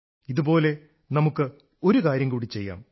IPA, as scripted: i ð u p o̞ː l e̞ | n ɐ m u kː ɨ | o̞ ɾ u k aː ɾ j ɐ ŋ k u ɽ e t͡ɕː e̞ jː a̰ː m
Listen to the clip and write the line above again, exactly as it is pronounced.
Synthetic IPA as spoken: i ð u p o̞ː l e̞ | n ɐ m u kː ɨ | o̞ ɾ u k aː ɾ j ɐ ŋ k uː ɽ i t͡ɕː e̞ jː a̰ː m